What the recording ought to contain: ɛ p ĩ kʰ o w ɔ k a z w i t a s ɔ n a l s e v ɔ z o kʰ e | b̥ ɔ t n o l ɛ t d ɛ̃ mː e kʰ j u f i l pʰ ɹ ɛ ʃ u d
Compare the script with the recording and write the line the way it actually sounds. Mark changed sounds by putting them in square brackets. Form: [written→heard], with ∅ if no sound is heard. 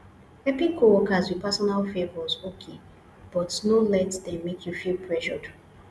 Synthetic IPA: ɛ p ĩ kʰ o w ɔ k a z w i [t→p] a s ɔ n a l [s→f] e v ɔ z o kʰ e | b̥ ɔ t n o l ɛ t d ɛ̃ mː e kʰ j u f i l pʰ ɹ ɛ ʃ [u→ɔ] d